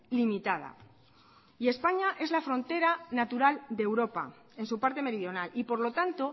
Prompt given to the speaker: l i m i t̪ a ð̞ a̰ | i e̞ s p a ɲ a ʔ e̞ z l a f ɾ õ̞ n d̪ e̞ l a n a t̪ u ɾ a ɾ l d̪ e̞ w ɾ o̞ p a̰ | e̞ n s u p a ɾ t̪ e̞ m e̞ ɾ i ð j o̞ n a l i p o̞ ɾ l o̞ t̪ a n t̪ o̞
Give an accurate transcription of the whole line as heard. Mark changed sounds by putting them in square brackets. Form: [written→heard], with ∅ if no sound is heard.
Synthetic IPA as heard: l i m i t̪ a ð̞ a̰ | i e̞ s p a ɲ a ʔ e̞ z l a f ɾ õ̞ n [d̪→t̪] e̞ [l→ɾ] a n a t̪ u ɾ a [ɾ→∅] l d̪ e̞ w ɾ o̞ p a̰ | e̞ n s u p a ɾ t̪ e̞ m e̞ ɾ i ð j o̞ n a l i p o̞ ɾ l o̞ t̪ a n t̪ o̞

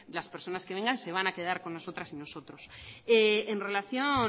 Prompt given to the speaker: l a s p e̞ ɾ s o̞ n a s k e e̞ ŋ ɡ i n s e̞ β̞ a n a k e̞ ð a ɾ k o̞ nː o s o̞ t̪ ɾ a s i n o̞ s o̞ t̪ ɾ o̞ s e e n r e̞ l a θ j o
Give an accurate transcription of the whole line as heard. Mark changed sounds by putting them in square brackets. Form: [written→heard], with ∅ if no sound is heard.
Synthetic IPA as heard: l a s p e̞ ɾ s o̞ n a s k e e̞ ŋ ɡ [i→a] n s e̞ β̞ a n a k e̞ ð a ɾ k o̞ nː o s o̞ t̪ ɾ a s i n o̞ s o̞ t̪ ɾ o̞ s e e n r e̞ l a θ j o

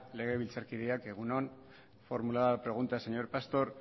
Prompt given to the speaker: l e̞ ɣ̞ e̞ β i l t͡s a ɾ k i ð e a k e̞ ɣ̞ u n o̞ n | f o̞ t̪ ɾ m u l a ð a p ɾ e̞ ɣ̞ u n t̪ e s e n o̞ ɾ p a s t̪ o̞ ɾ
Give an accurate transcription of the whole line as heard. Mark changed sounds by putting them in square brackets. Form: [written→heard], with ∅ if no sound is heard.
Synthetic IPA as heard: l e̞ ɣ̞ e̞ β i l t͡s a ɾ k i ð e a k e̞ ɣ̞ u n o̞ n | f o̞ [t̪→∅] ɾ m u l a ð a p ɾ e̞ ɣ̞ u n t̪ [e→a] s e [n→ɲ] o̞ ɾ p a s t̪ o̞ ɾ

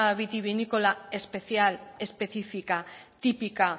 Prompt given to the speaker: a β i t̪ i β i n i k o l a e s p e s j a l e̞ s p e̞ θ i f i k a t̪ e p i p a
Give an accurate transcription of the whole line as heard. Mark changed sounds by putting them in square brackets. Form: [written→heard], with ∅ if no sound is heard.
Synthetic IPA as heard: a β i t̪ i β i n i k o l a e s p e [s→θ] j a l e̞ s p e̞ θ i f i k a t̪ [e→i] p i [p→k] a

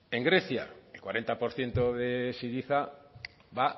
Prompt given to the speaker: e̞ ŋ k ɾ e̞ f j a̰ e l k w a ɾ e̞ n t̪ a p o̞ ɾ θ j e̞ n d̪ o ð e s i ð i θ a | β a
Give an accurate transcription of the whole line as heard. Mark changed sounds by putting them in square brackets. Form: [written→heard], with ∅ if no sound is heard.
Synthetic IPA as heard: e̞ ŋ [k→ɡ] ɾ e̞ [f→θ] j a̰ e l k w a ɾ e̞ n t̪ a p o̞ ɾ θ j e̞ n [d̪→t̪] o ð e s i ð i θ a | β a

